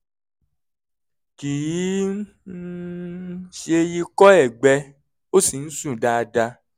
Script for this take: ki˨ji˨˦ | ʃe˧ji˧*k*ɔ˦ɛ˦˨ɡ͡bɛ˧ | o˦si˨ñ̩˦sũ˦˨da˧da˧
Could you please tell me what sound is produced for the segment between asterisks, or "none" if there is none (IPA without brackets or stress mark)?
k